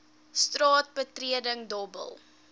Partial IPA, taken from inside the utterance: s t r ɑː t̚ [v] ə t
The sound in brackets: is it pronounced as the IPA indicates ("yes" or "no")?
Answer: no